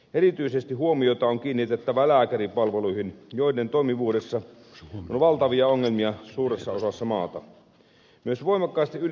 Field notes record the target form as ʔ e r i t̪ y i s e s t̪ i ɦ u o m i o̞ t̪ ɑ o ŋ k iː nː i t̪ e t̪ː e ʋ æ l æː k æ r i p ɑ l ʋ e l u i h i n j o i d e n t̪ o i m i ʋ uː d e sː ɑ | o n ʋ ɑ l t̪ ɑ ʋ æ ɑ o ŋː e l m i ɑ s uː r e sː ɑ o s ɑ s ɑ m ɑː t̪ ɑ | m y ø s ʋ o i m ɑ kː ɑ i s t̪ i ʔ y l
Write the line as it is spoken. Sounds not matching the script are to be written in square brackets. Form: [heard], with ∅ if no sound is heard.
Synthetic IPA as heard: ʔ e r i t̪ y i s e s t̪ i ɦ u o m i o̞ t̪ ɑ o ŋ k iː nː i t̪ e t̪ː [æ] ʋ æ l æː k æ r i p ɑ l ʋ e l u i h i n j o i d e n t̪ o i m i ʋ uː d e sː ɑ | o n ʋ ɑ l t̪ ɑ ʋ [i] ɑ o ŋː e l m i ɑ s uː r e sː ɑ o s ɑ [sː] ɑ m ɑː t̪ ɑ | m y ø s ʋ o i m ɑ kː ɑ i s t̪ i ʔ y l